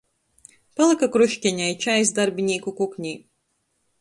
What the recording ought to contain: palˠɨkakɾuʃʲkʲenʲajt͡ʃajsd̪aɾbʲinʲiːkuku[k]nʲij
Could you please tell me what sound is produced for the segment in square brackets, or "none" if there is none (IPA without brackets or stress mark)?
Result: k